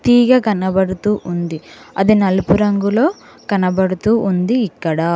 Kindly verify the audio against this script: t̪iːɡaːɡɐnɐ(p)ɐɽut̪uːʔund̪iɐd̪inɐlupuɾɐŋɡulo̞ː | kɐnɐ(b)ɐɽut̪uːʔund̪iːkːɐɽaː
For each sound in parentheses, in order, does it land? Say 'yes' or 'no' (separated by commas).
no, yes